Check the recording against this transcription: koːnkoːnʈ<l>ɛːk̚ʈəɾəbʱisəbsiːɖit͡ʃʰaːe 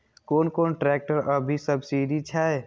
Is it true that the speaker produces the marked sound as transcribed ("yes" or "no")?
no